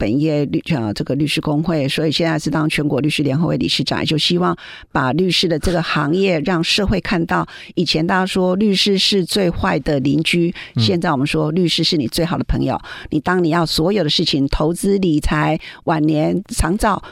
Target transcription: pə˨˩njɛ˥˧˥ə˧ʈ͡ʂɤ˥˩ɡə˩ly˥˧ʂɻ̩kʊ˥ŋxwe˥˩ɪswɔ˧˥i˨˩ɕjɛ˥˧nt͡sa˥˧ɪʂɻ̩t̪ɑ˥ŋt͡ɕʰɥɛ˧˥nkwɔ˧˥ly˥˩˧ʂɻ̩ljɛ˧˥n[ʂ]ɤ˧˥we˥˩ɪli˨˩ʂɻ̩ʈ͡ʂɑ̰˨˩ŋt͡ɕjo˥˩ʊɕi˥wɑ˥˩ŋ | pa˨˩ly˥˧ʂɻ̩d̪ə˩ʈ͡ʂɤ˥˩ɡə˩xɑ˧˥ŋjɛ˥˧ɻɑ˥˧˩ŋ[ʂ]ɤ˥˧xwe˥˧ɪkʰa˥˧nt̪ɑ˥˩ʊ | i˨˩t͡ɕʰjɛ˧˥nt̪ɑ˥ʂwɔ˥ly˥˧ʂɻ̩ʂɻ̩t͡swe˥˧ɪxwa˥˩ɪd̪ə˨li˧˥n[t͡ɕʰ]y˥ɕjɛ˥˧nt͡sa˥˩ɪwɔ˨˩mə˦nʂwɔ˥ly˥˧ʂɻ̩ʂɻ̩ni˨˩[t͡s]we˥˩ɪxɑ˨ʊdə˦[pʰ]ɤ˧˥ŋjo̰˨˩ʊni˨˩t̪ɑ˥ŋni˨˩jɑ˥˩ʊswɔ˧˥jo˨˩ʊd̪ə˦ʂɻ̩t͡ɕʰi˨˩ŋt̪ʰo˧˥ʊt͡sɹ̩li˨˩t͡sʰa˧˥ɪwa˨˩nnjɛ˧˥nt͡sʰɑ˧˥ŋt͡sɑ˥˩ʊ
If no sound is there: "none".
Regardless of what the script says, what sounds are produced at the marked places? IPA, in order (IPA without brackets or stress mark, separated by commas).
x, ʂ, t͡ɕ, t͡s, pʰ